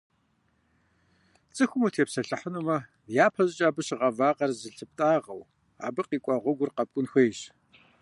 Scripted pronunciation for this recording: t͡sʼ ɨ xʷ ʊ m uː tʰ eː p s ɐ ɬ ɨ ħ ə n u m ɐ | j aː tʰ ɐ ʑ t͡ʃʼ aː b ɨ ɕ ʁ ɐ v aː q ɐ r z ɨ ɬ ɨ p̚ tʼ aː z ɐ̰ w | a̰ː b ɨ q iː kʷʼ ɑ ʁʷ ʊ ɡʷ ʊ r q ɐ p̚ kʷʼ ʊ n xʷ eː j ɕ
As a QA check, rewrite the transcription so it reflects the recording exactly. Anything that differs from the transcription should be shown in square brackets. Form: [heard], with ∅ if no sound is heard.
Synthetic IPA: t͡sʼ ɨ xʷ ʊ m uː tʰ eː p s ɐ ɬ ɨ ħ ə n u m ɐ | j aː [pʰ] ɐ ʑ t͡ʃʼ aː b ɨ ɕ ʁ ɐ v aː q ɐ r z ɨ ɬ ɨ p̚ tʼ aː [ʁ] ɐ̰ w | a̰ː b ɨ q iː kʷʼ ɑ ʁʷ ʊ ɡʷ ʊ r q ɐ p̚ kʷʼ ʊ n xʷ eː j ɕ